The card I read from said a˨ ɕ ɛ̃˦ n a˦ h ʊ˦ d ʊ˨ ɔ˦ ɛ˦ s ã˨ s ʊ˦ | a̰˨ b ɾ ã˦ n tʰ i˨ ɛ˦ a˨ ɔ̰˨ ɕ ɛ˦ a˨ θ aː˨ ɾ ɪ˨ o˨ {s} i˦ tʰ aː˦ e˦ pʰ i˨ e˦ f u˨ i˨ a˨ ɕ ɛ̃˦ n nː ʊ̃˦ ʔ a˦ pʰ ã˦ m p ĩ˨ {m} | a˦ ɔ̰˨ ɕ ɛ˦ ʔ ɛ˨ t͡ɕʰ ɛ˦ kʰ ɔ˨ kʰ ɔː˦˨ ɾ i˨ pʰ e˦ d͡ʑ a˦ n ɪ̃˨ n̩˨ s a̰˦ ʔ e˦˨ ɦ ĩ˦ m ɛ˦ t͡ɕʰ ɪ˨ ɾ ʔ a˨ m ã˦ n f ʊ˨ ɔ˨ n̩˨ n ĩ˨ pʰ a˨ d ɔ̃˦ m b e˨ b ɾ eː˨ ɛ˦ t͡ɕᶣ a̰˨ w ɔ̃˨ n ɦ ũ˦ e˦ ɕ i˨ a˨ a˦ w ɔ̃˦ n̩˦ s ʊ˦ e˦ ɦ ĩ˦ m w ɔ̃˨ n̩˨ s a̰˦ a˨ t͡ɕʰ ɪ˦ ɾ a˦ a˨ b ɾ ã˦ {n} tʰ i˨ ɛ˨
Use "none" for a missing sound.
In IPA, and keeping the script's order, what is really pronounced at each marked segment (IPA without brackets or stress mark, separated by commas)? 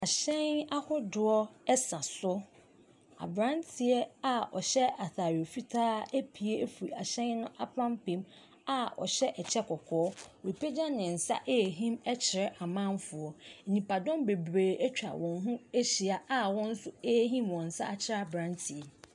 f, m, n